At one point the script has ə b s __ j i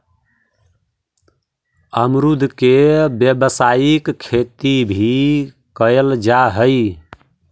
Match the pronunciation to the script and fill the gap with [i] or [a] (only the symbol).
a